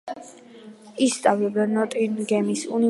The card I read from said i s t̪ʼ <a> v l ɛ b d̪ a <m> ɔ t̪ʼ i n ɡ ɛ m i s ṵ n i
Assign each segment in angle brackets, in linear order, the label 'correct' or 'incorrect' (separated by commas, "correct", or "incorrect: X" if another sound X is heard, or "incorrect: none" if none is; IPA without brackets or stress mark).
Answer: correct, incorrect: n